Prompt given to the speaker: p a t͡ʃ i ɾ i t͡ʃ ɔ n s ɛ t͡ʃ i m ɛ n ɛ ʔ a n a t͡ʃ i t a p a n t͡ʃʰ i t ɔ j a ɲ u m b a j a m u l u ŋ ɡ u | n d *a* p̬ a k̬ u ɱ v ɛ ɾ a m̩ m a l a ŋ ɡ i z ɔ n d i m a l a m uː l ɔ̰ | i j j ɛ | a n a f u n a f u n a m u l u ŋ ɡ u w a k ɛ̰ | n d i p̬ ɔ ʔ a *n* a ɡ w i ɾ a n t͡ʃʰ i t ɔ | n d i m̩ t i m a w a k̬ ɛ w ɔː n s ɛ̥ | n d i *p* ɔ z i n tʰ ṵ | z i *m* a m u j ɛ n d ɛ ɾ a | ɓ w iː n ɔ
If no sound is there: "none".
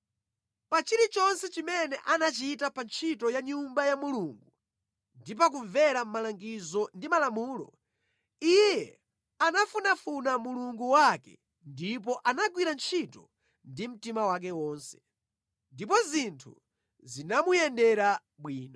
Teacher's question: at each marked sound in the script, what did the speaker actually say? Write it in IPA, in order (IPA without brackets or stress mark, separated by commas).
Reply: i, n, p, n